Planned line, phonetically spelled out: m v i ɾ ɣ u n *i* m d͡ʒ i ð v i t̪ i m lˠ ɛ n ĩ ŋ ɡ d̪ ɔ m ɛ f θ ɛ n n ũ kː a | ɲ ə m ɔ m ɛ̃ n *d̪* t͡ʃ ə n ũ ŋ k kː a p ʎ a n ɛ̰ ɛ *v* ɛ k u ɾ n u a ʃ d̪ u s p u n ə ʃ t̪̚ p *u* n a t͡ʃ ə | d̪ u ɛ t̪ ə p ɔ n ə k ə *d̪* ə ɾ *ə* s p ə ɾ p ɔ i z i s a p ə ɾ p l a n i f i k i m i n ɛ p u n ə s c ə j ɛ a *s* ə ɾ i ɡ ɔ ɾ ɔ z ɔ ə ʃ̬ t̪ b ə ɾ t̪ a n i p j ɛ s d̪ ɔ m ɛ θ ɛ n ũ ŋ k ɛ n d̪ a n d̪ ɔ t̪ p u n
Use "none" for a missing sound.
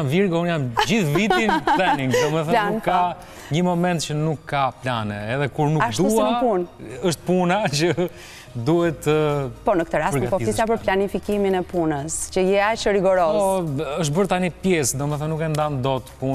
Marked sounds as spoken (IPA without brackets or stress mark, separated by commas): a, t̪, ð, u, t̪, a, ʃ